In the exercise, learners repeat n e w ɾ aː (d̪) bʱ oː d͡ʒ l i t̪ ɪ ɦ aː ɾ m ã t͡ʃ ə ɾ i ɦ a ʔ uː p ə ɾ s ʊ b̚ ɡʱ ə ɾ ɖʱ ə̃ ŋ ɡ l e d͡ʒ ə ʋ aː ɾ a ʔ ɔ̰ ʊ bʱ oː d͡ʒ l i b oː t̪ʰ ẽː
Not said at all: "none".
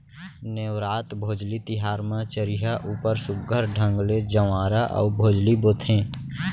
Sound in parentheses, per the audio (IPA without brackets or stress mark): t̪